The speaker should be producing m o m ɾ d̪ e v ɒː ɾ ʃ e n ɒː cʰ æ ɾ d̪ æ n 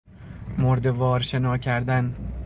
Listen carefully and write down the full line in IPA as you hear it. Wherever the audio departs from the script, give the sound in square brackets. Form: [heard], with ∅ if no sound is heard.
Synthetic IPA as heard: m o [∅] ɾ d̪ e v ɒː ɾ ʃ e n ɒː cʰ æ ɾ d̪ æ n